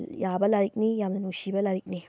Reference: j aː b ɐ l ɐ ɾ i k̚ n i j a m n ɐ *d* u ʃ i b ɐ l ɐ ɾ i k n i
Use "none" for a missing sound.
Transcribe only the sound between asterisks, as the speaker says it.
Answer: n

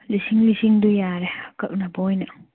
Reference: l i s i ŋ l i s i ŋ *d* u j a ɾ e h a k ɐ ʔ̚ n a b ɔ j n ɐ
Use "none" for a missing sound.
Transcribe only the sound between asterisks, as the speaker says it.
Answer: d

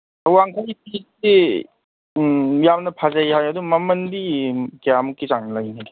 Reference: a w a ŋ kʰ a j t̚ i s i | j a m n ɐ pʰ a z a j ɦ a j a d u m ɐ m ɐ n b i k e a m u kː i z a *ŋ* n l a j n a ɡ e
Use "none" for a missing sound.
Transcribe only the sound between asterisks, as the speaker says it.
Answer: ŋ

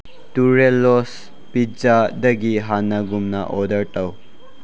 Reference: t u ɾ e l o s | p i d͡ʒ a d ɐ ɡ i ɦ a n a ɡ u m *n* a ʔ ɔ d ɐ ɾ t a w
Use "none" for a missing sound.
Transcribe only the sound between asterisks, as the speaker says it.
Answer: n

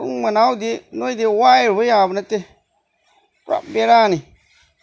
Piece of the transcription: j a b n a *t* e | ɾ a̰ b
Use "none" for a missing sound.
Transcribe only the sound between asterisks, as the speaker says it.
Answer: t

